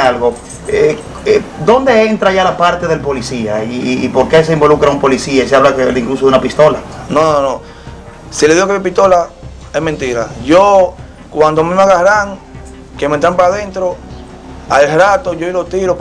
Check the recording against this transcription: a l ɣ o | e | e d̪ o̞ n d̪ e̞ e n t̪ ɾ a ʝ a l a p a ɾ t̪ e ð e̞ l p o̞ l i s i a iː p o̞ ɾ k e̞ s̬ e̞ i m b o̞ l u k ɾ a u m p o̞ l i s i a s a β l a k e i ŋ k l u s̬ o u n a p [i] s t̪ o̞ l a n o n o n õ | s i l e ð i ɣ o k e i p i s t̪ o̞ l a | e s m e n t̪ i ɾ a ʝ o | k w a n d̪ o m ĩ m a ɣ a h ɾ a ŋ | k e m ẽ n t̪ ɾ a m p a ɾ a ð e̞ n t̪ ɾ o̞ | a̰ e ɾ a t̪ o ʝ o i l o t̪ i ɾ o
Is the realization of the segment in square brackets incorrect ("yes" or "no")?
no